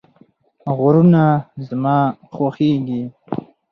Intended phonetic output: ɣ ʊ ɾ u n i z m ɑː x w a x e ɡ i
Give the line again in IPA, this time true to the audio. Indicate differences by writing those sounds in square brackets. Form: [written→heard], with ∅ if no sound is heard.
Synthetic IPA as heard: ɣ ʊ ɾ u n [i→a] z m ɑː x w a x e ɡ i